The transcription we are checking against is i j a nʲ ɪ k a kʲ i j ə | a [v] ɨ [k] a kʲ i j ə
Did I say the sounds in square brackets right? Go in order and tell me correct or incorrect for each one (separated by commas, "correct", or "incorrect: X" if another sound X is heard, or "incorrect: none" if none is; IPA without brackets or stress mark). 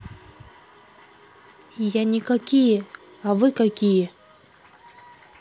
correct, correct